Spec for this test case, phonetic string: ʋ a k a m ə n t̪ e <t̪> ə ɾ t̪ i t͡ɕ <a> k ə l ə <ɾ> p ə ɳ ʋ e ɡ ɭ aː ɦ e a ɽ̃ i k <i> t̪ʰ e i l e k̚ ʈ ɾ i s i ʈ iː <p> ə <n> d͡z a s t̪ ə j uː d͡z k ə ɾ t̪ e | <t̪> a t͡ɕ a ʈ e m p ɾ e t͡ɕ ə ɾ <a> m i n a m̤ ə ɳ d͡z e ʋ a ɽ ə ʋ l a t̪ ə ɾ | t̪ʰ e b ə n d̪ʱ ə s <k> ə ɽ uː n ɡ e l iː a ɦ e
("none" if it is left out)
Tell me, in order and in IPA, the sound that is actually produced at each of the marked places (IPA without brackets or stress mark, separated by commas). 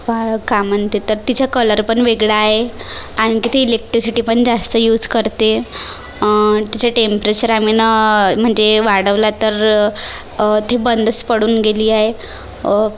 t̪, a, ɾ, i, p, ɳ, t̪, a, p